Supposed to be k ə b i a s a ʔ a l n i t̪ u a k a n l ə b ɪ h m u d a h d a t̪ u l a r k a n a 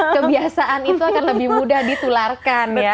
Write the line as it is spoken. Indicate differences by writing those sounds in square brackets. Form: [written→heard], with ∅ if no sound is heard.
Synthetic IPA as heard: k ə b i a s a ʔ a [l→∅] n i t̪ u a k a n l ə b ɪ h m u d a h d [a→i] t̪ u l a r k a n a